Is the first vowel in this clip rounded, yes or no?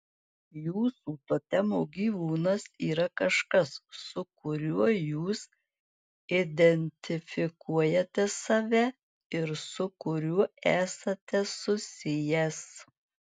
yes